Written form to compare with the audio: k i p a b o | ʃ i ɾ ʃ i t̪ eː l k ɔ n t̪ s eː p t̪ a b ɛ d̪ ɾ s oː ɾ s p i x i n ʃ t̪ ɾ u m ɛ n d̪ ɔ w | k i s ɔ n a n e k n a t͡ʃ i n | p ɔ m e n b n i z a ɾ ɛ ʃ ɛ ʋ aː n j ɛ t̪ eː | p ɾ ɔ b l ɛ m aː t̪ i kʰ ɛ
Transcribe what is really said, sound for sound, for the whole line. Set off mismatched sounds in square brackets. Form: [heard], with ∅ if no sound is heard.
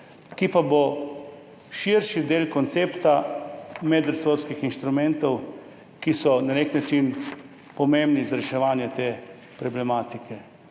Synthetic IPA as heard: k i p a b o | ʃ i ɾ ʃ i [d̪] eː l k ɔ n t̪ s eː p t̪ a [m] ɛ d̪ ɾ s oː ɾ s [k] i x i n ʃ t̪ ɾ u m ɛ n [t̪] ɔ w | k i s ɔ n a n e k n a t͡ʃ i n | p ɔ m e [m] b n i z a ɾ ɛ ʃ ɛ ʋ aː n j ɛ t̪ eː | p ɾ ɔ b l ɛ m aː t̪ i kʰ ɛ